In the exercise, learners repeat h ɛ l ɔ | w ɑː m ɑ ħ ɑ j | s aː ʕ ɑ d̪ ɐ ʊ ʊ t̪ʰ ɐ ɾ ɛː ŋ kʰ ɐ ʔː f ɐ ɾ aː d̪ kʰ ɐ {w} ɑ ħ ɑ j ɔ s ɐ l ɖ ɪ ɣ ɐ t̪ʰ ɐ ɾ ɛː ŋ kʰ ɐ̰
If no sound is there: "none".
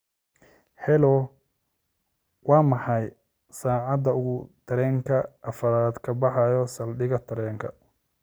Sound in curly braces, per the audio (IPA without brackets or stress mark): b